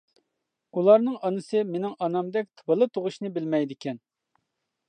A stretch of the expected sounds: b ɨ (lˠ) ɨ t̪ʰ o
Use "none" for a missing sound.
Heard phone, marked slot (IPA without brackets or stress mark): lˠ